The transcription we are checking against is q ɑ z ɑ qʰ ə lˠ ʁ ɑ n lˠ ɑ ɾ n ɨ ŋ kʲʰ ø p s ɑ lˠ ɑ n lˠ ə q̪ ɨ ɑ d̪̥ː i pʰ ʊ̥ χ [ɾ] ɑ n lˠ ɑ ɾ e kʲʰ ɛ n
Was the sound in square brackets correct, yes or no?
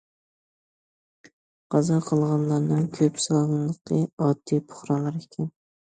yes